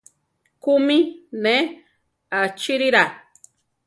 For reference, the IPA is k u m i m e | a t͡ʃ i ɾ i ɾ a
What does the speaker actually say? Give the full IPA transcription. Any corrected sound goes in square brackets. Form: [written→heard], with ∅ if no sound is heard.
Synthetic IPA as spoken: k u m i [m→n] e | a t͡ʃ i ɾ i ɾ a